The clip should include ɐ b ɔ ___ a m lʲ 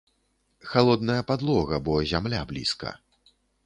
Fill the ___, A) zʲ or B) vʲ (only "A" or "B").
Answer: A